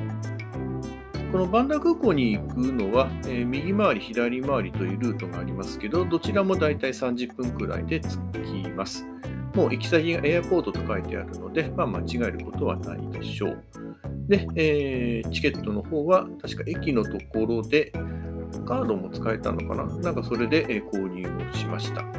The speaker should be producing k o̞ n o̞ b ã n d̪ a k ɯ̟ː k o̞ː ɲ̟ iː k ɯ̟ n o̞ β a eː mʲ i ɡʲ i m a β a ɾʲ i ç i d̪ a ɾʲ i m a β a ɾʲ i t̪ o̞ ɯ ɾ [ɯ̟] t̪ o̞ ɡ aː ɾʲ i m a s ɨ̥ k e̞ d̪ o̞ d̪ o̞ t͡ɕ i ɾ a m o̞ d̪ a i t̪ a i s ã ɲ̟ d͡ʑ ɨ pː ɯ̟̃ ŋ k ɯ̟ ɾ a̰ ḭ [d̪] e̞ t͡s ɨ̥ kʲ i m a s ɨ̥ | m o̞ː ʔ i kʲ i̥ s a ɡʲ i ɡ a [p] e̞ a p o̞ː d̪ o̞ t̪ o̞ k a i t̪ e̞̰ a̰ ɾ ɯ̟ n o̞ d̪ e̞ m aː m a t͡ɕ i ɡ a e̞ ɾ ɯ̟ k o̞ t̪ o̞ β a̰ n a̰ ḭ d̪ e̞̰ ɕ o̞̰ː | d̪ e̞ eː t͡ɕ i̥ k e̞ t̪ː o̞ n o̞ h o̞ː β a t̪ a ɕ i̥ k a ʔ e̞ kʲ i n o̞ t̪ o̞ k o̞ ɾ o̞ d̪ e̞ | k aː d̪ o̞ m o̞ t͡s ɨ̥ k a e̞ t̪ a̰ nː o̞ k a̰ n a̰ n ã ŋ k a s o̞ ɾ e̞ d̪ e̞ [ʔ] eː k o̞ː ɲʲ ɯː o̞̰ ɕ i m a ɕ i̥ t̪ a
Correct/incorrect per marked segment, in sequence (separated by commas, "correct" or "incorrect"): incorrect, correct, incorrect, correct